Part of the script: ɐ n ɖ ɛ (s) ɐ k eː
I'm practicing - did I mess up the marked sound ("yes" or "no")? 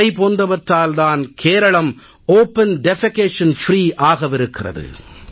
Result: yes